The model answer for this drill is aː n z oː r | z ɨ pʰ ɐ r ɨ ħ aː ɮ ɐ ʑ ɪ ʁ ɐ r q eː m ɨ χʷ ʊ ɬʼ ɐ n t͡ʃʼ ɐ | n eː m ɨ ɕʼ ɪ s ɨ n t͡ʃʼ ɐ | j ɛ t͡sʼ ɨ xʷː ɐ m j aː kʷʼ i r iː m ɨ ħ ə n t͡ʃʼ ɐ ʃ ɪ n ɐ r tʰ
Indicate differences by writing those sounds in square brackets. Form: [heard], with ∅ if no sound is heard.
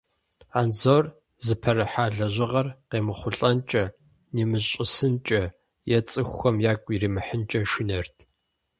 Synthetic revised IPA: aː n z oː r | z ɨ pʰ ɐ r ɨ ħ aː ɮ ɐ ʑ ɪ ʁ ɐ r q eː m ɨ χʷ ʊ ɬʼ ɐ n t͡ʃʼ ɐ | n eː m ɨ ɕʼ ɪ s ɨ n t͡ʃʼ ɐ | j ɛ t͡sʼ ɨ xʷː ɐ m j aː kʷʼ i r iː m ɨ ħ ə n t͡ʃʼ ɐ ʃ ɪ n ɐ r tʰ